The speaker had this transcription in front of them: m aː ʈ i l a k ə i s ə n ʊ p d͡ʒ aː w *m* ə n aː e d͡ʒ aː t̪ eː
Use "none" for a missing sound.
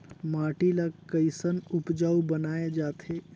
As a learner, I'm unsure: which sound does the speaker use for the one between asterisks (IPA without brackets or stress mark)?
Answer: b